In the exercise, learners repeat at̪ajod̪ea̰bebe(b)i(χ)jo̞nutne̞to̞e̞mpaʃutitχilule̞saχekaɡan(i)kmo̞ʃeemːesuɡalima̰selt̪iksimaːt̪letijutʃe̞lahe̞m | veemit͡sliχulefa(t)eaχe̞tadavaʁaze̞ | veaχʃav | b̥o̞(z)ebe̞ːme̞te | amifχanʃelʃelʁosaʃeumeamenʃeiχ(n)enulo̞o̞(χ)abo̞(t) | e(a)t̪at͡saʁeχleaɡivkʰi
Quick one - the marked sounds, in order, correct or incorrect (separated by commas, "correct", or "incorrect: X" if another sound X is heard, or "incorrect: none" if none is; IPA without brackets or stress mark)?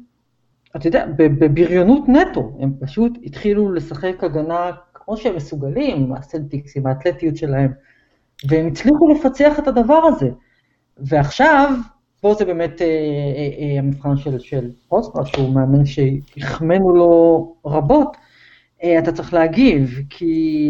correct, incorrect: ʁ, incorrect: a, incorrect: t͡s, correct, incorrect: m, incorrect: ʁ, correct, correct